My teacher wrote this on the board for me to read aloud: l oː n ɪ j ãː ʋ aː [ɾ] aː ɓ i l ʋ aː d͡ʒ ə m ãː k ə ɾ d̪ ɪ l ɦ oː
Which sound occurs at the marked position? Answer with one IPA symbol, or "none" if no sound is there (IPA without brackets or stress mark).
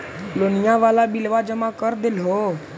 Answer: l